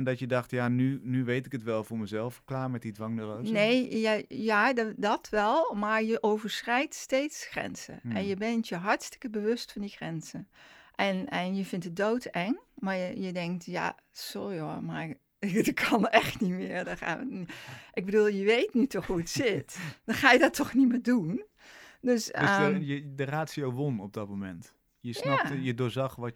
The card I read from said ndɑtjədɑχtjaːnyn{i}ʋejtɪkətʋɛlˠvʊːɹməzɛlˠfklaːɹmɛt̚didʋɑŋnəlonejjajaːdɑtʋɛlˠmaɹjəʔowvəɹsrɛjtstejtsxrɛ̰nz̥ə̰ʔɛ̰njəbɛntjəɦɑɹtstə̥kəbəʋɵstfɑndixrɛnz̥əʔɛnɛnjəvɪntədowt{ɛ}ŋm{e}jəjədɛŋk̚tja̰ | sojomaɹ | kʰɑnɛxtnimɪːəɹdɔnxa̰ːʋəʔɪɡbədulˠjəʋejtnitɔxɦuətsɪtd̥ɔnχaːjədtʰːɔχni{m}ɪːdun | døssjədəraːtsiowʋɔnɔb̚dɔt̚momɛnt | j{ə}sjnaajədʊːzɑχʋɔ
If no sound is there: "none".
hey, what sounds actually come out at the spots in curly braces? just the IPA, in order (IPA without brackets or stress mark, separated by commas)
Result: y, ɛ, a, m, ə